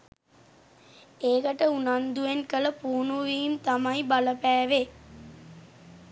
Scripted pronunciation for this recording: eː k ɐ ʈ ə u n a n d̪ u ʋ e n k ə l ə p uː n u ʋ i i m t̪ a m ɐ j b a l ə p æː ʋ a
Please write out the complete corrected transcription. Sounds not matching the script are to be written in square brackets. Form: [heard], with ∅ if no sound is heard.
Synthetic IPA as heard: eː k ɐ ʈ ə u n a n d̪ u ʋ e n k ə l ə p uː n u ʋ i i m t̪ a m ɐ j b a l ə p æː ʋ [e]